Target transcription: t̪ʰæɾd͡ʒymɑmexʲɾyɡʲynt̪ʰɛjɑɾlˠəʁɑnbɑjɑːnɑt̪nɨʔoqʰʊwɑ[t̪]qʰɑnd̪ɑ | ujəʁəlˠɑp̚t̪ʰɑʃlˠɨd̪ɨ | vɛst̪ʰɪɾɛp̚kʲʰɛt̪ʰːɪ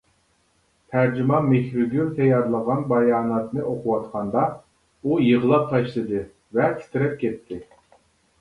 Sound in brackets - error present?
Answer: no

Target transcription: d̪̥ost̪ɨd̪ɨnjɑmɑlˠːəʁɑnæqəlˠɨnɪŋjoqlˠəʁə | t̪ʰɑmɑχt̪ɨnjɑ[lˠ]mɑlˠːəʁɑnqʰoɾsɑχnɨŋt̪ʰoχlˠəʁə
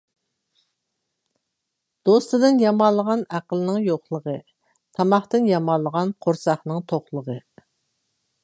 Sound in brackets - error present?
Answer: yes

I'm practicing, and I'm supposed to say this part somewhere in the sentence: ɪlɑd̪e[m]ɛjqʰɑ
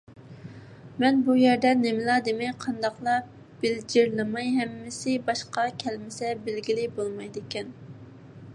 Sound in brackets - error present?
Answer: no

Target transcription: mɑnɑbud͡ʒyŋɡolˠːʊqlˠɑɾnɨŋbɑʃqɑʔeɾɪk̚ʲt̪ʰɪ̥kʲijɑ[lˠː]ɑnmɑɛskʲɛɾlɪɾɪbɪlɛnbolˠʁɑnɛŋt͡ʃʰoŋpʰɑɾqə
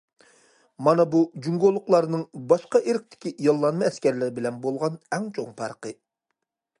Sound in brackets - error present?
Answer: no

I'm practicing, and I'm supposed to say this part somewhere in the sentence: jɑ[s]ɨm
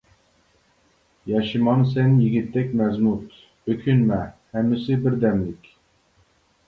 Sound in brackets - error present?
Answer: yes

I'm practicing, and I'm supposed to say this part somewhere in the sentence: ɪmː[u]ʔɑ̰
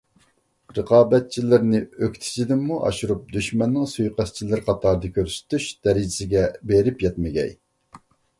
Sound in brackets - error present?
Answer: no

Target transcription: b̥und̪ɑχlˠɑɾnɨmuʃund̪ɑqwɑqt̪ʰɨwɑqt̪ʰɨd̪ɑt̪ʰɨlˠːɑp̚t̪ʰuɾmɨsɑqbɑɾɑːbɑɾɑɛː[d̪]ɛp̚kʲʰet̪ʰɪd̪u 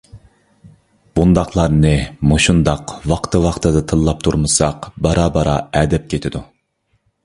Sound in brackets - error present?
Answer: no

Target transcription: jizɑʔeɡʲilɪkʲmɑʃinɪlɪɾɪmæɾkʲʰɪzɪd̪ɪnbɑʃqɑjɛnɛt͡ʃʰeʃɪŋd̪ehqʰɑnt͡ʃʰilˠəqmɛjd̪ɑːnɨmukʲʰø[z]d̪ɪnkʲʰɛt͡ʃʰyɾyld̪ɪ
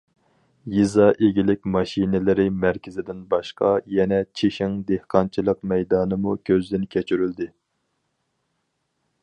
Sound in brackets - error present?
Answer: no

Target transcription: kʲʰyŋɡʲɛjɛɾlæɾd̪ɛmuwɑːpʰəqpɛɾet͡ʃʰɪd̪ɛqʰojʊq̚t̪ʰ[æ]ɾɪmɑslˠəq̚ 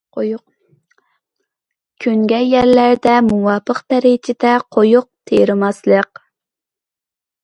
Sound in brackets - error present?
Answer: yes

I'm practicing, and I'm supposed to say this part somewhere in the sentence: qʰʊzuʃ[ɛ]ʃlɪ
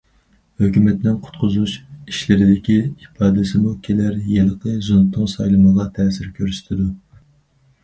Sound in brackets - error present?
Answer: yes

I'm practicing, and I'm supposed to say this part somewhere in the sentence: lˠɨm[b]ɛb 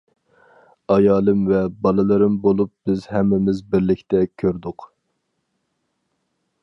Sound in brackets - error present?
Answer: yes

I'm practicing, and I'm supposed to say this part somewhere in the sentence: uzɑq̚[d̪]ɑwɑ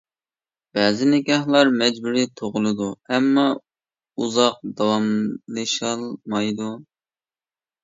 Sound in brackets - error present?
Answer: no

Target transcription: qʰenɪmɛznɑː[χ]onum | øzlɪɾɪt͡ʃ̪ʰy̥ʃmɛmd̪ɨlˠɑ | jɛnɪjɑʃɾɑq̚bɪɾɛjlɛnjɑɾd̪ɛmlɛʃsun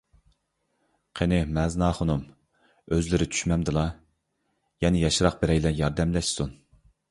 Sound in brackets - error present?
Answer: no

